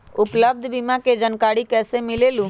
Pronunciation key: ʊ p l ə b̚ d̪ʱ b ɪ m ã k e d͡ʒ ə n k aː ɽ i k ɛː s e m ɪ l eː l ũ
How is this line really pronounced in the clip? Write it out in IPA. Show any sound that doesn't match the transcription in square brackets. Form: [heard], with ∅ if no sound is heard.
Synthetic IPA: ʊ p l ə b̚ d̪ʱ b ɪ m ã k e d͡ʒ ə n k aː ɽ i k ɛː s e m ɪ l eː l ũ

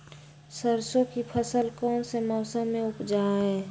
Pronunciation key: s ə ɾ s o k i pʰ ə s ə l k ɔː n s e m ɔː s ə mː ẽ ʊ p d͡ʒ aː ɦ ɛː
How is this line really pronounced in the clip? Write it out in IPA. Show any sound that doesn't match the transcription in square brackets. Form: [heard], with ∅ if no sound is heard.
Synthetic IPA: s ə ɾ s o k i pʰ ə s ə l k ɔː n s e m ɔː s ə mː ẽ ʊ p d͡ʒ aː ɦ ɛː

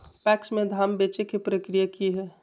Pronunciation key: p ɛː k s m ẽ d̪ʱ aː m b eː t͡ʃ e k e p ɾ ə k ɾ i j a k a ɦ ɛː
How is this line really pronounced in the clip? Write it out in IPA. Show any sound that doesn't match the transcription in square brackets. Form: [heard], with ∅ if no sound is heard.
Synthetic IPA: p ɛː k s m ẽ d̪ʱ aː m b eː t͡ʃ e k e p ɾ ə k ɾ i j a k [i] ɦ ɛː

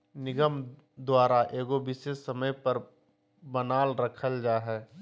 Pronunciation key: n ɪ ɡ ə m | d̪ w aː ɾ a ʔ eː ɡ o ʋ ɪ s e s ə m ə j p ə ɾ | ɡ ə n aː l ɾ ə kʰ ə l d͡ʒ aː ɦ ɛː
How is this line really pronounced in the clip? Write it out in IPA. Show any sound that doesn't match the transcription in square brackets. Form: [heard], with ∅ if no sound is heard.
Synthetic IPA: n ɪ ɡ ə m | d̪ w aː ɾ a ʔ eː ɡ o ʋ ɪ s e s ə m ə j p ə ɾ | [b] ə n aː l ɾ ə kʰ ə l d͡ʒ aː ɦ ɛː

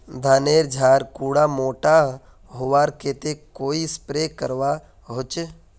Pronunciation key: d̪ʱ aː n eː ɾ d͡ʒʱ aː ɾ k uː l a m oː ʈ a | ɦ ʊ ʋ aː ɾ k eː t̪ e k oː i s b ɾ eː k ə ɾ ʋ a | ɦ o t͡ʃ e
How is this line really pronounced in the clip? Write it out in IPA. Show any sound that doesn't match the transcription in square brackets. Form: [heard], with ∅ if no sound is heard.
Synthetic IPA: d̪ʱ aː n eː ɾ d͡ʒʱ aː ɾ k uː [ɽ] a m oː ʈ a | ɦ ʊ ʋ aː ɾ k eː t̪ e k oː i s [p] ɾ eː k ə ɾ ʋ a | ɦ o t͡ʃ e

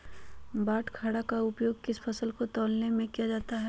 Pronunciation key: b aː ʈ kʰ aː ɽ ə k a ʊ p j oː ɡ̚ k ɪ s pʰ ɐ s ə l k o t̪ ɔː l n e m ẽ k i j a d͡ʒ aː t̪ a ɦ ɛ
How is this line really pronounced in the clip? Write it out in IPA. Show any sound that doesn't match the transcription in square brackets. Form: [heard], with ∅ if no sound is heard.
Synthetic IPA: b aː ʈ kʰ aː ɽ [a] k a ʊ p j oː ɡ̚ k ɪ s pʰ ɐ s ə l k o t̪ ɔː l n e m ẽ k i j a d͡ʒ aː t̪ a ɦ ɛ

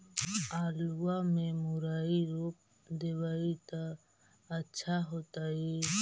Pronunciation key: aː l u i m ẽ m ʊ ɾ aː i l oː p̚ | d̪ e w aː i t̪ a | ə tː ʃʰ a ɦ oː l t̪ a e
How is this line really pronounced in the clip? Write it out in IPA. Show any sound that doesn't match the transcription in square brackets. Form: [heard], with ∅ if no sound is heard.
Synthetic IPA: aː l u [a] m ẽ m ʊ ɾ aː i [ɾ] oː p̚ | d̪ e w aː i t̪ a | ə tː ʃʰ a ɦ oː [∅] t̪ a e

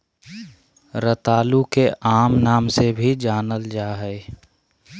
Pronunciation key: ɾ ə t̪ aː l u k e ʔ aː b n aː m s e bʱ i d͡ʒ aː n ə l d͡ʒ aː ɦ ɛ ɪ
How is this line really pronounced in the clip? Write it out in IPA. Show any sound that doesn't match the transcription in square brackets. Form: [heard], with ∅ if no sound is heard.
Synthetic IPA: ɾ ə t̪ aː l u k e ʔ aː [m] n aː m s e bʱ i d͡ʒ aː n ə l d͡ʒ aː ɦ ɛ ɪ

